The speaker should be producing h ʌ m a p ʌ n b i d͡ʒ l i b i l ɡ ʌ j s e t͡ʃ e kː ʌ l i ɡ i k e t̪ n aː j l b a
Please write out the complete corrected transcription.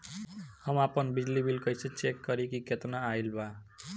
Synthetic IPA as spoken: h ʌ m a p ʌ n b i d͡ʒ l i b i l k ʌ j s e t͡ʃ e kː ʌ ɾ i k i k e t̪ n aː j l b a